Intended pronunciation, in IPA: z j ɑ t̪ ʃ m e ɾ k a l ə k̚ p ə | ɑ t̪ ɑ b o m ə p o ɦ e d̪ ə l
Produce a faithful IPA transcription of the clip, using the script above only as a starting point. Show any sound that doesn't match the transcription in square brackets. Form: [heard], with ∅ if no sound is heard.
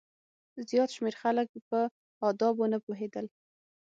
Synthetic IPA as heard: z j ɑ t̪ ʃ m e ɾ [x] a l ə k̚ p ə | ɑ [d̪] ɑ b o [n] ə p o ɦ e d̪ ə l